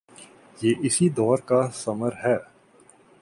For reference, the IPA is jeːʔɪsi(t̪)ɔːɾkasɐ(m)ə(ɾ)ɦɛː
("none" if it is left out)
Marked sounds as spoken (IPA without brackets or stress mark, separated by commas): d̪, m, ɾ